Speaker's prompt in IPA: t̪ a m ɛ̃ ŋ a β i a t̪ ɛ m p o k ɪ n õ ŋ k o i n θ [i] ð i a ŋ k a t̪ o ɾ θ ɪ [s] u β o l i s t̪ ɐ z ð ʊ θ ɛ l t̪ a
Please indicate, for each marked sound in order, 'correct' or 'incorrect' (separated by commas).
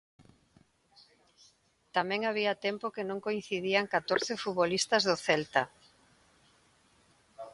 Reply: correct, incorrect